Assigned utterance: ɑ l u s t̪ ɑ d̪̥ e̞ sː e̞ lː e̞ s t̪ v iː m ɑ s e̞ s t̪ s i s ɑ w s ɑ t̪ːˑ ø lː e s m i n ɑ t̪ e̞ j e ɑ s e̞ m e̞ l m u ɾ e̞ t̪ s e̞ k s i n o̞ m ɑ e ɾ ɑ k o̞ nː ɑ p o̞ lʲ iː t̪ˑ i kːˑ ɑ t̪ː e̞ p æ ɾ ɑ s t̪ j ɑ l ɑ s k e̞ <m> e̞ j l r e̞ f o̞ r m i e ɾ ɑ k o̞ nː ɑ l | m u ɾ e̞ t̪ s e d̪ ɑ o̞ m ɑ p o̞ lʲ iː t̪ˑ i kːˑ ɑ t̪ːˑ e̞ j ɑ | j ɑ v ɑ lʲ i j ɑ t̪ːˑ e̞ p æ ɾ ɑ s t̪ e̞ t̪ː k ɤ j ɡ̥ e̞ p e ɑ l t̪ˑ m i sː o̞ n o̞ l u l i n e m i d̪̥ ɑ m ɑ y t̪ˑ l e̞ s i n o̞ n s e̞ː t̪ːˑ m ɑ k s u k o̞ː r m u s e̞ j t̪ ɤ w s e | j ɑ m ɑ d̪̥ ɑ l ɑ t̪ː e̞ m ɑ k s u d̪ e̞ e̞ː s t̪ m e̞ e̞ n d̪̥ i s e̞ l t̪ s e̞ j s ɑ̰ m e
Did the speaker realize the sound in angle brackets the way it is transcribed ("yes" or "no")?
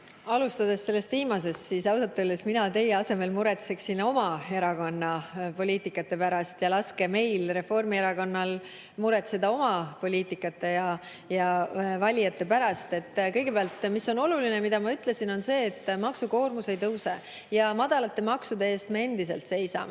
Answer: yes